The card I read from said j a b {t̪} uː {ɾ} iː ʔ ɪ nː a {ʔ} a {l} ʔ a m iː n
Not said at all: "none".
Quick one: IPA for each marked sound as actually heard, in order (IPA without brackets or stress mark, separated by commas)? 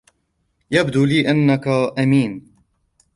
d̪, l, k, none